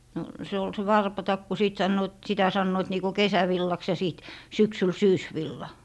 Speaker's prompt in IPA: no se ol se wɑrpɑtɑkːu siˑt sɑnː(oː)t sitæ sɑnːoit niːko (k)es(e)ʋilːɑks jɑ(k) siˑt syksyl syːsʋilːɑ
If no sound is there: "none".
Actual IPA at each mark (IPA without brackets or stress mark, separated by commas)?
oː, k, æ, none